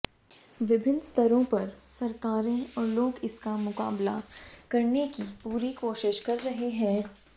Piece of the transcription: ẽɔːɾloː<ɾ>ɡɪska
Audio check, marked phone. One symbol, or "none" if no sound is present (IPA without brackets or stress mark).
none